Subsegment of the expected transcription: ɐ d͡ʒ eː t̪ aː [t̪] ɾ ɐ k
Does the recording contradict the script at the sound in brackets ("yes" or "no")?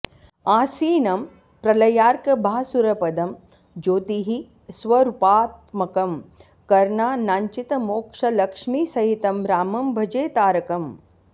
yes